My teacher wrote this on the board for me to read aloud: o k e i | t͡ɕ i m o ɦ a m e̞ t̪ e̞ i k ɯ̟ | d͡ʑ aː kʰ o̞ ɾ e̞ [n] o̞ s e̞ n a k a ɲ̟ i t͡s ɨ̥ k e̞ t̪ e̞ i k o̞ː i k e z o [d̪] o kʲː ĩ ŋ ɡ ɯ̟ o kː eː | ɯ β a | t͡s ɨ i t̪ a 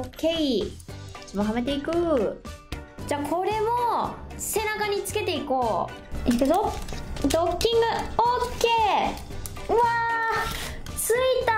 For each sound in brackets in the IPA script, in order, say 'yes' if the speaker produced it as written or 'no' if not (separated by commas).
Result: no, yes